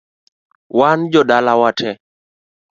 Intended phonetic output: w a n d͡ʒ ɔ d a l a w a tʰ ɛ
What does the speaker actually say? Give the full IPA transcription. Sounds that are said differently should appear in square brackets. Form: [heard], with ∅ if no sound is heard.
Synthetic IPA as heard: w a n d͡ʒ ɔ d a l a w a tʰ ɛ